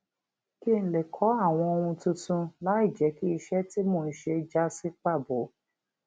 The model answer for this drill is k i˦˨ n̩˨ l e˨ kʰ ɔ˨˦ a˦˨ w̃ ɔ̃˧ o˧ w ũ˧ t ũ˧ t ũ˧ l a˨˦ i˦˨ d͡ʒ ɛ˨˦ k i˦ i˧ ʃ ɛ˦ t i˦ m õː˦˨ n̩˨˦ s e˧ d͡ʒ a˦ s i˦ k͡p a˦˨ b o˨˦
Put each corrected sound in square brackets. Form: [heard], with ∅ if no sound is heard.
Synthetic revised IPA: k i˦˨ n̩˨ l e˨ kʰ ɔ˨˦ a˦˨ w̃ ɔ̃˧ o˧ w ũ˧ t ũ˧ t ũ˧ l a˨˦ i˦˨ d͡ʒ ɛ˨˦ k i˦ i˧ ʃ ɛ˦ t i˦ m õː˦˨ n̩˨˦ [ʃ] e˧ d͡ʒ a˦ s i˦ k͡p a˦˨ b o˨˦